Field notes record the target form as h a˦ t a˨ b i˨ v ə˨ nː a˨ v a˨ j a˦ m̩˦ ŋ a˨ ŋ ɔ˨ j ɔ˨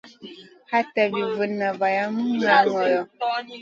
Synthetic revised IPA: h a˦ t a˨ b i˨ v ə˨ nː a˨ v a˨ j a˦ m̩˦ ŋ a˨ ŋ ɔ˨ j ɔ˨